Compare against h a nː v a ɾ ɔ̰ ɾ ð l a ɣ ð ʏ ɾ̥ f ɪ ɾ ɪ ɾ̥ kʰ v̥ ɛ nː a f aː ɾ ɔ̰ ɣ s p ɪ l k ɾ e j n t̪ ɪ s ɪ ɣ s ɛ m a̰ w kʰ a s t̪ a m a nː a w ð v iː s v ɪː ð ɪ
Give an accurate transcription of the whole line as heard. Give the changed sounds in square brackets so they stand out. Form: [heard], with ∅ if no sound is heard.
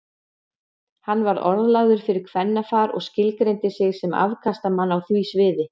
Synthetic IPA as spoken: h a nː v a ɾ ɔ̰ ɾ ð l a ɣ ð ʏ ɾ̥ f ɪ ɾ ɪ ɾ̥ kʰ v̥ ɛ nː a f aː ɾ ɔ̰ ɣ s [c] ɪ l k ɾ e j n t̪ ɪ s ɪ ɣ s ɛ m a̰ [v] kʰ a s t̪ a m a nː a w [θ] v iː s v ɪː ð ɪ

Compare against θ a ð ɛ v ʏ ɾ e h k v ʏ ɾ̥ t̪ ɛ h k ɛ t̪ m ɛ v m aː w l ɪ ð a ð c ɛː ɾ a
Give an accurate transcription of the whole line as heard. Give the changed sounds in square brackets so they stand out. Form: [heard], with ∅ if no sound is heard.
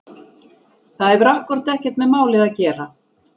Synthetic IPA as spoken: θ a ð ɛ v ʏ ɾ [a] h k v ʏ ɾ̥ t̪ ɛ h [c] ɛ t̪ m ɛ [ð] m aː w l ɪ ð a ð c ɛː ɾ a

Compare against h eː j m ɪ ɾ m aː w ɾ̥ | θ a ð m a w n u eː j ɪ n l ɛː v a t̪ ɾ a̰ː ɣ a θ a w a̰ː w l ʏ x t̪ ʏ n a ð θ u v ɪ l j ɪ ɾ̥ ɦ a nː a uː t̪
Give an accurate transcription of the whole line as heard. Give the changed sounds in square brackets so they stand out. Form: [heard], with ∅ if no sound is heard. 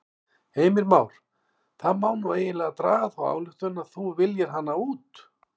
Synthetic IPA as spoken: h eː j m ɪ ɾ m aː w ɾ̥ | θ a ð m a w n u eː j ɪ n l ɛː [ɣ] a t̪ ɾ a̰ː ɣ a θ a w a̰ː w l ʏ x t̪ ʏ n a ð θ u v ɪ l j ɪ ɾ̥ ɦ a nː a uː t̪

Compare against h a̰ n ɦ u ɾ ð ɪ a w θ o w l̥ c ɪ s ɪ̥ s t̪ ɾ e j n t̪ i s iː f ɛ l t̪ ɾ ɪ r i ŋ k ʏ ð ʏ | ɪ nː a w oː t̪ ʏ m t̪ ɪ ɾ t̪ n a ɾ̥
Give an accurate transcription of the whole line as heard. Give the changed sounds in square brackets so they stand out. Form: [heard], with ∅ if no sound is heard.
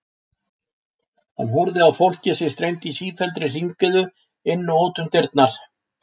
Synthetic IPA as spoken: h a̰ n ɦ u ɾ ð ɪ a w [f] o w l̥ c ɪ s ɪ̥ s t̪ ɾ e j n t̪ i s iː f ɛ l t̪ ɾ ɪ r i ŋ k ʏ ð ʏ | ɪ nː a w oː t̪ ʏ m t̪ ɪ ɾ t̪ n a ɾ̥

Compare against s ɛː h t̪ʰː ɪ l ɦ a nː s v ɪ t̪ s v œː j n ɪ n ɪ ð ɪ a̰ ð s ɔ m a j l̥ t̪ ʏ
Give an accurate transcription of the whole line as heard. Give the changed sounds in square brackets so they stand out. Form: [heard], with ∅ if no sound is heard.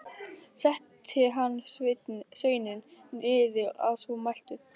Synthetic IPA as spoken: s [ɛ] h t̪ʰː ɪ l ɦ a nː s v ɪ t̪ s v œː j n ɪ n ɪ ð ɪ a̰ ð s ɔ m a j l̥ t̪ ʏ

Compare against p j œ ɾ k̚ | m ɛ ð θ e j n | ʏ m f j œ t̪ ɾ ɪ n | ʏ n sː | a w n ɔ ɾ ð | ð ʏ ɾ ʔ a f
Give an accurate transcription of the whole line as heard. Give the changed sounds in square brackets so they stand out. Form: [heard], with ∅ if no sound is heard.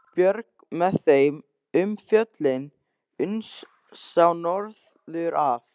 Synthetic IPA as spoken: p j œ ɾ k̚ | m ɛ ð θ e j [m] | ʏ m f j œ t̪ [l] ɪ n | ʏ n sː | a w n ɔ ɾ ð | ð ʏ ɾ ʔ a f

